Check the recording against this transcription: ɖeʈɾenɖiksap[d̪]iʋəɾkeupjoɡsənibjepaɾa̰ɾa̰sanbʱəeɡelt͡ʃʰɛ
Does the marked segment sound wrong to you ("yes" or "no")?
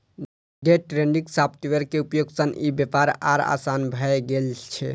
yes